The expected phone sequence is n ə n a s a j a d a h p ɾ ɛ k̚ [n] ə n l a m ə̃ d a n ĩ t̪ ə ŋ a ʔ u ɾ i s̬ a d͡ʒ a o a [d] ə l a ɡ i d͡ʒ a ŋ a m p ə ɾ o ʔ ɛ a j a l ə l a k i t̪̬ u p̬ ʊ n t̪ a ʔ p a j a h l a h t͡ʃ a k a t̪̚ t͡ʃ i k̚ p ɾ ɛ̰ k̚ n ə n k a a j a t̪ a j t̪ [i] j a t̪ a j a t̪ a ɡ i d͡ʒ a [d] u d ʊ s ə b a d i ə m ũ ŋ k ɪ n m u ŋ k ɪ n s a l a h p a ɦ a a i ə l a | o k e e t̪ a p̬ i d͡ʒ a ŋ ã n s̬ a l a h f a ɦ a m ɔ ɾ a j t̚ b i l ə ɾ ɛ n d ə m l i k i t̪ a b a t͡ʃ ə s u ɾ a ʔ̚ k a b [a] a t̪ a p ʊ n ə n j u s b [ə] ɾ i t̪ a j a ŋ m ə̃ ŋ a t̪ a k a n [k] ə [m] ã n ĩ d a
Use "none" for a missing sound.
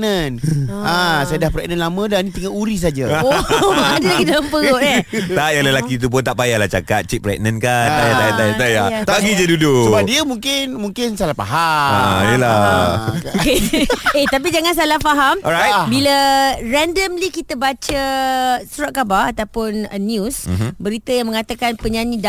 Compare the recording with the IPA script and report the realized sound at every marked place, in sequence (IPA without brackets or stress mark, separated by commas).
n, d, a, d, a, ə, p, ɲ